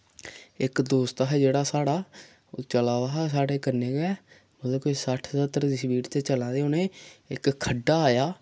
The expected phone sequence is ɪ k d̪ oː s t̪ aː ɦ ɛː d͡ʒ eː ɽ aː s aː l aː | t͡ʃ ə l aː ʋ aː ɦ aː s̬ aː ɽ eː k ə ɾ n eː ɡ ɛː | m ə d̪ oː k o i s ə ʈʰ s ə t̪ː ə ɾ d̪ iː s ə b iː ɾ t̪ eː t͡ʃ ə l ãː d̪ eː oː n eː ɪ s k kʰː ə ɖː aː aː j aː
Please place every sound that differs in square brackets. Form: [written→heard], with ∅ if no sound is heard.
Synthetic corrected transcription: ɪ k d̪ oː s t̪ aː ɦ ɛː d͡ʒ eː ɽ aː s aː [l→ɽ] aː | t͡ʃ ə l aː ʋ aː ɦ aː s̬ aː ɽ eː k ə ɾ n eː ɡ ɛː | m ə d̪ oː k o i s ə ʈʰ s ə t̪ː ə ɾ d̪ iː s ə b iː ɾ t̪ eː t͡ʃ ə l ãː d̪ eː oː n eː ɪ [s→∅] k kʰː ə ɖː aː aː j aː